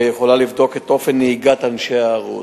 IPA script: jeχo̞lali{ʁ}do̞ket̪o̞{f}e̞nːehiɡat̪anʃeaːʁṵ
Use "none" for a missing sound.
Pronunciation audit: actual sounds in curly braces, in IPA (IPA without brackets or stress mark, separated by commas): v, f